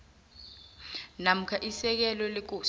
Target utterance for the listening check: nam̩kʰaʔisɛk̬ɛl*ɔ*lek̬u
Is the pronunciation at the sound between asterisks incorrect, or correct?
correct